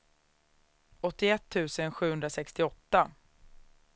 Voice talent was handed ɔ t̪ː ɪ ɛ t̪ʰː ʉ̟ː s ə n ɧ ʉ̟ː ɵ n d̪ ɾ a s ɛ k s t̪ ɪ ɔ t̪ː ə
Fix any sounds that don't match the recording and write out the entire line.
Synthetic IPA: ɔ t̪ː ɪ ɛ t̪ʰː ʉ̟ː s ə n ɧ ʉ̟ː ɵ n d̪ ɾ a s ɛ k s t̪ ɪ ɔ t̪ː a